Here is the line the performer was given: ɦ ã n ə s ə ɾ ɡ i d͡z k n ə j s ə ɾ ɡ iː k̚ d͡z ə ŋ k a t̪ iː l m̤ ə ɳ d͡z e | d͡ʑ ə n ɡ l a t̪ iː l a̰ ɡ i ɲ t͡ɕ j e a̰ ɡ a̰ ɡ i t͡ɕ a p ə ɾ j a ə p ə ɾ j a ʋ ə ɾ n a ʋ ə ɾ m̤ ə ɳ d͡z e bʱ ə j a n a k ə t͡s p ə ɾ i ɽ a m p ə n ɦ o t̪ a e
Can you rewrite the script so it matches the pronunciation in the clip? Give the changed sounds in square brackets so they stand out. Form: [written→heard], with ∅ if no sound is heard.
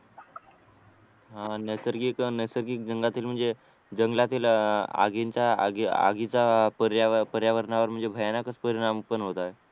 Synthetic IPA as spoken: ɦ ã n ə s ə ɾ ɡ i [d͡z→∅] k n ə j s ə ɾ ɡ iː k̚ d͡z ə ŋ [k→ɡ] a t̪ iː l m̤ ə ɳ d͡z e | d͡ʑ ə [n→ŋ] ɡ l a t̪ iː l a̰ ɡ i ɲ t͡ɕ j [e→a] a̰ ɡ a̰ ɡ i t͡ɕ a p ə ɾ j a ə p ə ɾ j a ʋ ə ɾ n a ʋ ə ɾ m̤ ə ɳ d͡z e bʱ ə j a n a k ə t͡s p ə ɾ i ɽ a m p ə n ɦ o t̪ a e